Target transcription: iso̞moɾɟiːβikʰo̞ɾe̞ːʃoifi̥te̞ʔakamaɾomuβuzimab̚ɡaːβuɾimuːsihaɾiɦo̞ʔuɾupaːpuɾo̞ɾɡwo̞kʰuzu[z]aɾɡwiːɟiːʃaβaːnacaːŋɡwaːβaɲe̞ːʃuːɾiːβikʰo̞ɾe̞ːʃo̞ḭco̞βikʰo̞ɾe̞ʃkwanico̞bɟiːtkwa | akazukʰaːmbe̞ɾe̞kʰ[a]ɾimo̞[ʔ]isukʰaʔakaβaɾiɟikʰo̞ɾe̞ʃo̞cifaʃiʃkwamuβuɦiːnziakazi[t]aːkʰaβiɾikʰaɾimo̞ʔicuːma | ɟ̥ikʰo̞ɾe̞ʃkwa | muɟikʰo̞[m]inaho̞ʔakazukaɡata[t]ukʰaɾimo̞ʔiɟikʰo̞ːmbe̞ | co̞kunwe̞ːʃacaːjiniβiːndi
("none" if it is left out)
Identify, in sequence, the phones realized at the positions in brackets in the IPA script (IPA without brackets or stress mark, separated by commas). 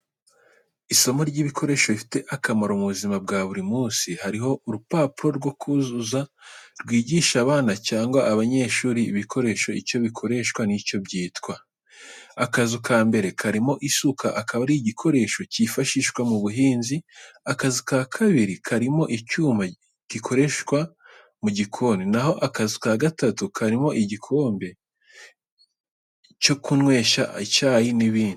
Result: z, a, ʔ, k, n, t